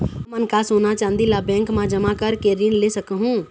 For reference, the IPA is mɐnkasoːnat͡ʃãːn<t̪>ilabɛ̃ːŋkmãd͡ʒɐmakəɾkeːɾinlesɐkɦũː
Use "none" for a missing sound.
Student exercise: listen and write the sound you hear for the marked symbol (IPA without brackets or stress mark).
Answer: d̪